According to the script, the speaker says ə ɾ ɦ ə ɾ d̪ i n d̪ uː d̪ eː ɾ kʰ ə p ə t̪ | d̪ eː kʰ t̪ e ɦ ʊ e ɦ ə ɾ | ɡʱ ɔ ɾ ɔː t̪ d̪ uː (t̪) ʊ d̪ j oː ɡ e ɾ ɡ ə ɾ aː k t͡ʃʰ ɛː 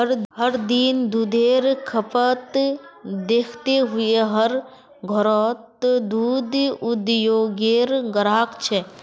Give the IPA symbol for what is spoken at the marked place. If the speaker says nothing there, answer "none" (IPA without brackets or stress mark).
d̪